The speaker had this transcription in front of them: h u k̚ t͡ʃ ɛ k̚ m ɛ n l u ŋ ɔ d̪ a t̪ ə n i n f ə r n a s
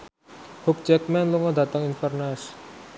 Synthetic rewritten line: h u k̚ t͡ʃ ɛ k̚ m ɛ n l u ŋ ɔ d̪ a t̪ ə ŋ i n f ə r n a s

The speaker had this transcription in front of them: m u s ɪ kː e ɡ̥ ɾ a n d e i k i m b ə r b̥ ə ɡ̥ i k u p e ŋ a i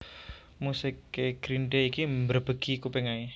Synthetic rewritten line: m u s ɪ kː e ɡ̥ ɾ i n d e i k i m b ə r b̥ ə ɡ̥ i k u p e ŋ a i

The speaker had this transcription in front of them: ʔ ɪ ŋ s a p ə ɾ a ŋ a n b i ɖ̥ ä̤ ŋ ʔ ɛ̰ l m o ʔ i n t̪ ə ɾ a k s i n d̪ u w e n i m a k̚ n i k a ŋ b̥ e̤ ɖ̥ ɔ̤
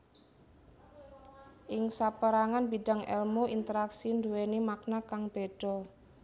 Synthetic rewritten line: ʔ ɪ ŋ s a p ə ɾ a ŋ a n b i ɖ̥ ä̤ ŋ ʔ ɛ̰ l m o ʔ i n t̪ ə ɾ a k s i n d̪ u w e n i m a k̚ n a k a ŋ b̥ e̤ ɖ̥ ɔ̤

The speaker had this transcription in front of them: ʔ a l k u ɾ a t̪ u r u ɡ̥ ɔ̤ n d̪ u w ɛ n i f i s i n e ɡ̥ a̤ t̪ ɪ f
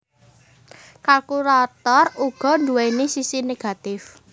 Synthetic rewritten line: k a l k u ɾ a t̪ ɔ r u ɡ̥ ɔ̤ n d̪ u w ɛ n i s i s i n e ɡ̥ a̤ t̪ ɪ f

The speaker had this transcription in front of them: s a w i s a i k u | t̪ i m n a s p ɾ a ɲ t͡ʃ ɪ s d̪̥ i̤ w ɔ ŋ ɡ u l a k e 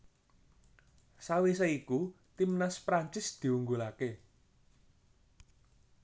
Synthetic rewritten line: s a w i s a i k u | t̪ i m n a s p ɾ a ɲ t͡ʃ ɪ s d̪̥ i̤ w u ŋ ɡ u l a k e

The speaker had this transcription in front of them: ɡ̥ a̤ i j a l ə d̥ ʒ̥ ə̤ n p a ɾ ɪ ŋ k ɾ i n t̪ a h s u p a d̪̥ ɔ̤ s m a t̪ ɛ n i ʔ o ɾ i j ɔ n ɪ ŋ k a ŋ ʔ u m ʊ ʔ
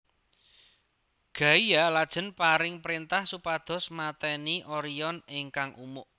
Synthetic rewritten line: ɡ̥ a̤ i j a l a d̥ ʒ̥ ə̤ n p a ɾ ɪ ŋ p ɾ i n t̪ a h s u p a d̪̥ ɔ̤ s m a t̪ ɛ n i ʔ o ɾ i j ɔ n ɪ ŋ k a ŋ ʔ u m ʊ ʔ

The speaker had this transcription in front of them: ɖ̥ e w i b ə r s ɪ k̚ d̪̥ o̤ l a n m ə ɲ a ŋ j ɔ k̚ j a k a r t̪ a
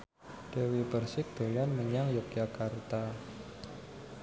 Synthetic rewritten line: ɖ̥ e w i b ə r s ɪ k̚ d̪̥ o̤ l a n m ə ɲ a ŋ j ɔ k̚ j a k a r t̪ a

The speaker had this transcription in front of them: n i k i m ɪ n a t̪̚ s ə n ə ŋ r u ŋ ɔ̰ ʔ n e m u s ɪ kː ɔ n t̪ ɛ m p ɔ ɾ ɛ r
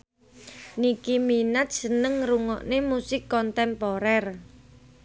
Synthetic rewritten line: n i k i m i n a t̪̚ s ə n ə ŋ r u ŋ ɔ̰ ʔ n e m u s ɪ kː ɔ n t̪ ɛ m p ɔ ɾ ɛ r

